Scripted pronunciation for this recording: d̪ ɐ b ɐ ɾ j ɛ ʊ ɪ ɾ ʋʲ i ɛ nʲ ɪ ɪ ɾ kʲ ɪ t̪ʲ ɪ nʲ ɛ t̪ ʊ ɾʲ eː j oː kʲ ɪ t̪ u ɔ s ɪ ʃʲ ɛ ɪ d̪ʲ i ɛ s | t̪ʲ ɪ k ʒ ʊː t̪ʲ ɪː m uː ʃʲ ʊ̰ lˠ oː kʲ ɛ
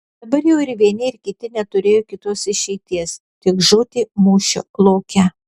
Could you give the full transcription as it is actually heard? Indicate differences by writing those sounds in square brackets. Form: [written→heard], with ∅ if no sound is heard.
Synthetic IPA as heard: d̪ ɐ b ɐ ɾ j ɛ ʊ ɪ ɾ ʋʲ i ɛ nʲ ɪ ɪ ɾ kʲ ɪ t̪ʲ ɪ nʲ ɛ t̪ ʊ ɾʲ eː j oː kʲ ɪ t̪ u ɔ s ɪ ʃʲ ɛ ɪ [d̪ʲ→t̪ʲ] i ɛ s | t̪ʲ ɪ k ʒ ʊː t̪ʲ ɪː m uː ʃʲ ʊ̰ lˠ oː kʲ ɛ